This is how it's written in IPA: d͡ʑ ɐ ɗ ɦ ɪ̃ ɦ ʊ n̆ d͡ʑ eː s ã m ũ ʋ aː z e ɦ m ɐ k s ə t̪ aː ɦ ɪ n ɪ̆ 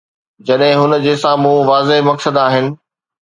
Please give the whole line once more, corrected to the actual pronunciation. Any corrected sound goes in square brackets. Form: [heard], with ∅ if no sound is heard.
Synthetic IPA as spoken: d͡ʑ ɐ ɗ ɦ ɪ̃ ɦ ʊ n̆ d͡ʑ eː s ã m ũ ʋ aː z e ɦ m ɐ k s ə [d̪] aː ɦ ɪ n ɪ̆